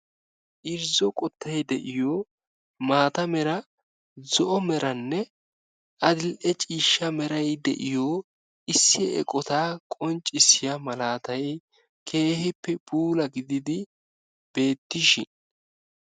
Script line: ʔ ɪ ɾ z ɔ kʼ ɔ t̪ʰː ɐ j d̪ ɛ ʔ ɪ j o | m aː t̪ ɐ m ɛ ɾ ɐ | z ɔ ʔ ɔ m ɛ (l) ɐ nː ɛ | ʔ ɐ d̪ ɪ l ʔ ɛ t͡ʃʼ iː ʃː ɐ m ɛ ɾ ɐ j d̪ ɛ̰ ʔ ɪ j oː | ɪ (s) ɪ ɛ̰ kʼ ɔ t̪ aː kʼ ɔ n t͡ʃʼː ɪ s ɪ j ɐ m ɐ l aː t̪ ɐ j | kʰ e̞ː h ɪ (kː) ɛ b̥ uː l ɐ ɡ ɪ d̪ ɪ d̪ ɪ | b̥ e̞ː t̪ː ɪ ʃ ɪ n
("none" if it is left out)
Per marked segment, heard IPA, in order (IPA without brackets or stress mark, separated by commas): ɾ, sː, pː